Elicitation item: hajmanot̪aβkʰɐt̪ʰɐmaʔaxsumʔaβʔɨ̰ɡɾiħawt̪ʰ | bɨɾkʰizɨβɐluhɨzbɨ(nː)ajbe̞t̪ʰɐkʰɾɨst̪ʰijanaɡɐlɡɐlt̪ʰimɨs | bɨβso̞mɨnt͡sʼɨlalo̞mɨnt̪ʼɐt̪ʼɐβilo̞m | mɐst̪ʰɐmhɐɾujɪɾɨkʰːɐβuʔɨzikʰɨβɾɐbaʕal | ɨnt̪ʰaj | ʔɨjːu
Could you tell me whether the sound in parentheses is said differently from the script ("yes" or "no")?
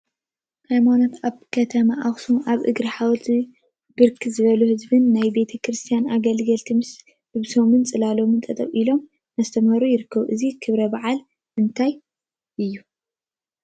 no